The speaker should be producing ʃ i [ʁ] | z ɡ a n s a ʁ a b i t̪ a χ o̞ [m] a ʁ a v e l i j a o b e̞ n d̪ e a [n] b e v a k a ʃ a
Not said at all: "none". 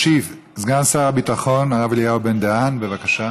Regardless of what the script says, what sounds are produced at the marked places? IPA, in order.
v, n, n

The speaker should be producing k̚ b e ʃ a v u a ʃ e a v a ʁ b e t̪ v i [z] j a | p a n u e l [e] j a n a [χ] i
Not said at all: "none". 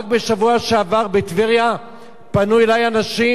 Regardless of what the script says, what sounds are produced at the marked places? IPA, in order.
ʁ, a, ʃ

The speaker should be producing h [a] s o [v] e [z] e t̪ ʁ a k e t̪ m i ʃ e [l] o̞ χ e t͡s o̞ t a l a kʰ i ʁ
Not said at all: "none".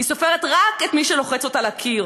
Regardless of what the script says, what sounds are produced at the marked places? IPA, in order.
i, f, ʁ, l

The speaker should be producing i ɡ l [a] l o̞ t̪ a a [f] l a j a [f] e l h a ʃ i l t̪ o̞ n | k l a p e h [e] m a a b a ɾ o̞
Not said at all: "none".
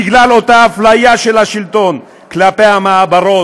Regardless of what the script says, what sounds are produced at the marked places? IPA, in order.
a, f, ʃ, a

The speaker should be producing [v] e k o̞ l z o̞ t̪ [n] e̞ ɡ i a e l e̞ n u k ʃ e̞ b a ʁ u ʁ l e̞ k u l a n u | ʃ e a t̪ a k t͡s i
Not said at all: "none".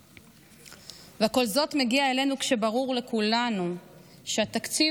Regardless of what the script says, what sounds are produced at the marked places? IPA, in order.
v, m

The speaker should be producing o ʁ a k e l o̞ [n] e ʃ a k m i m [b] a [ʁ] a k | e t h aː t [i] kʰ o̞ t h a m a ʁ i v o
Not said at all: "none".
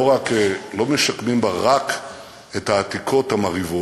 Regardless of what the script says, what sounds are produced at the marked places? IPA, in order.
m, b, ʁ, i

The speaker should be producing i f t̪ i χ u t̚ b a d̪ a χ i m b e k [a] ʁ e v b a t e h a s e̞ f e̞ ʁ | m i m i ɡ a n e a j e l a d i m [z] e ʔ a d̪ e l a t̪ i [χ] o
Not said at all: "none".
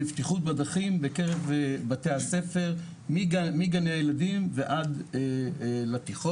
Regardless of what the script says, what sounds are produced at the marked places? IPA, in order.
e, v, χ

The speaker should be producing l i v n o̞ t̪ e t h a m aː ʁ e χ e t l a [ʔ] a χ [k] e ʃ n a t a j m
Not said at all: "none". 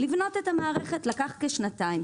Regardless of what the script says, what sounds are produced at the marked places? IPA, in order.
k, k

